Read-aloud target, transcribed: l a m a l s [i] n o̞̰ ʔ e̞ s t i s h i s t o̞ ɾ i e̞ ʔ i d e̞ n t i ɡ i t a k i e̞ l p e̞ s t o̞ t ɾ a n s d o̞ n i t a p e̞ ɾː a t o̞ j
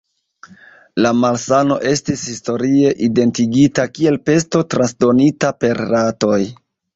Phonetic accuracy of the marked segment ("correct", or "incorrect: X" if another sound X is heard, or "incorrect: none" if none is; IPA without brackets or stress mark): incorrect: a